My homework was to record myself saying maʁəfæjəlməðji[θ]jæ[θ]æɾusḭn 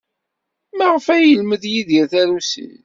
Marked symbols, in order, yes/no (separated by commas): no, yes